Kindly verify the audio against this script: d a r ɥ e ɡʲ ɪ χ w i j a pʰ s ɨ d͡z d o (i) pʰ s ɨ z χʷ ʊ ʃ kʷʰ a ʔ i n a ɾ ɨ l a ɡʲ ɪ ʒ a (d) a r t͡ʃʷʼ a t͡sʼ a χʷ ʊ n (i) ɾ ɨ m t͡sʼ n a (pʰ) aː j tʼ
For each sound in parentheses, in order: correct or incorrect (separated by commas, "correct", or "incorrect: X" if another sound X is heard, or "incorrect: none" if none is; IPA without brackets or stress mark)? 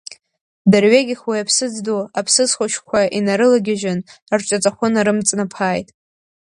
incorrect: a, incorrect: n, incorrect: a, correct